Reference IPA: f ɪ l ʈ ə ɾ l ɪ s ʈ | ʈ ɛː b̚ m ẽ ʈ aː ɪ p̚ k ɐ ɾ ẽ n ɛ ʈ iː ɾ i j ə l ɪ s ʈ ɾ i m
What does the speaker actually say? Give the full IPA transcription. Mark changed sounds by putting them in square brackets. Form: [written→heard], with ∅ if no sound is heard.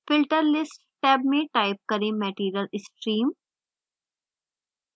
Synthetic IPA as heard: f ɪ l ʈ ə ɾ l ɪ s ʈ | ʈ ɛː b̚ m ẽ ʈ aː ɪ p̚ k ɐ ɾ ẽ [n→m] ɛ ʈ iː ɾ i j ə l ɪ s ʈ ɾ [i→iː] m